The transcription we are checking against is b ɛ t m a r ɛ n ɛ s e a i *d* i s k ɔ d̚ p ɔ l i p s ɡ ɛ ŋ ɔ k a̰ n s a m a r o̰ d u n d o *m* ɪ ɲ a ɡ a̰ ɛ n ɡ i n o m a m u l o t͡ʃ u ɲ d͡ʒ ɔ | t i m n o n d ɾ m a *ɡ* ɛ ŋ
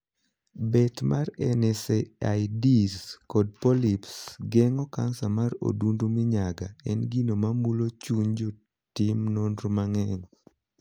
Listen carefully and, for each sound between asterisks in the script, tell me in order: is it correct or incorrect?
correct, correct, incorrect

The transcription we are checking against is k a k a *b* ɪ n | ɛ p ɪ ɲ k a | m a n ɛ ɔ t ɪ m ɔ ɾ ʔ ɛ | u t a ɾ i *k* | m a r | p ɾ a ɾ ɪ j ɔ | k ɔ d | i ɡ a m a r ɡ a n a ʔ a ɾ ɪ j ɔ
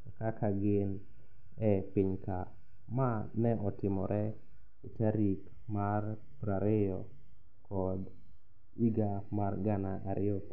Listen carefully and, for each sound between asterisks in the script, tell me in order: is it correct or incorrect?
incorrect, correct

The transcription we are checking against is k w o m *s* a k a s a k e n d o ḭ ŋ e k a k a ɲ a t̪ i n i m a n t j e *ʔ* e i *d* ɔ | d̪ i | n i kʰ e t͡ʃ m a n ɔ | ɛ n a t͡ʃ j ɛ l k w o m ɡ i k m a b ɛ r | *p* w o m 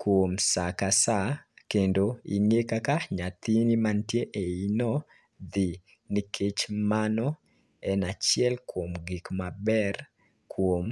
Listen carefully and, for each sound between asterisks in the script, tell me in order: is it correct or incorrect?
correct, correct, incorrect, incorrect

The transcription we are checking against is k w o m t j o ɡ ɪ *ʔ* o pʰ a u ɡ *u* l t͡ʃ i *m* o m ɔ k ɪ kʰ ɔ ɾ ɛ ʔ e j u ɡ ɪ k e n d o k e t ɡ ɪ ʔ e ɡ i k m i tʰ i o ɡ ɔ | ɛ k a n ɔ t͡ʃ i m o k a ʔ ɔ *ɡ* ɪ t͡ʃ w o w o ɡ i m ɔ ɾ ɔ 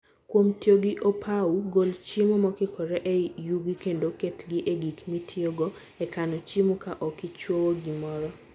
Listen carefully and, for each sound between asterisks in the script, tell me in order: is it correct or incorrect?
correct, incorrect, correct, incorrect

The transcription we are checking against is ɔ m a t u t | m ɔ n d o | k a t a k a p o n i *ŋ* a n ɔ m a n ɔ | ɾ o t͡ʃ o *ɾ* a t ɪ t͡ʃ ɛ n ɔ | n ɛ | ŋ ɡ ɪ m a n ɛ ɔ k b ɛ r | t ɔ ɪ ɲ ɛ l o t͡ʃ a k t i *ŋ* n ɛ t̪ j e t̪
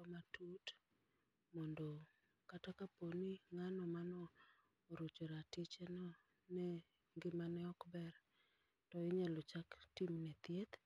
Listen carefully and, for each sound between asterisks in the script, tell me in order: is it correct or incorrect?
correct, correct, incorrect

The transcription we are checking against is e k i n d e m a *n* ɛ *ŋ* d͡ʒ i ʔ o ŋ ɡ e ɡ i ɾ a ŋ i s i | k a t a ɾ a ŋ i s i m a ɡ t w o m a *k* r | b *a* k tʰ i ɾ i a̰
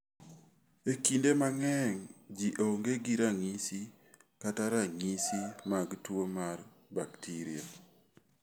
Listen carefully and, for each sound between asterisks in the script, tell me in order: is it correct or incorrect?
incorrect, correct, incorrect, correct

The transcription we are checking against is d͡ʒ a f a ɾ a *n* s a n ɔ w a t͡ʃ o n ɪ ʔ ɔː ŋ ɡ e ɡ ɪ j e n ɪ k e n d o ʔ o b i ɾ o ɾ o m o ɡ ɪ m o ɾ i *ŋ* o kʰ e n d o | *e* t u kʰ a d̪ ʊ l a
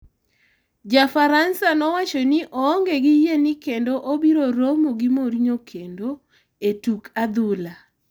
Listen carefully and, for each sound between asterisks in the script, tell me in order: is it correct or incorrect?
correct, incorrect, correct

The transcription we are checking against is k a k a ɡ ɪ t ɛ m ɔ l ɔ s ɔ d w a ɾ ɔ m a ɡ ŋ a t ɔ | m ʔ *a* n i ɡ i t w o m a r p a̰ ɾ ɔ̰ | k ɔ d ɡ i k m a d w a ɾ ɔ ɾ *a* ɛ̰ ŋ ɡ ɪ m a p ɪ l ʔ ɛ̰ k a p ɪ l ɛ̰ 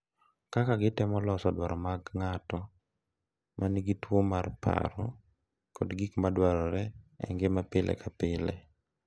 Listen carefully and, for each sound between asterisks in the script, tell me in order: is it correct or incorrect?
correct, incorrect

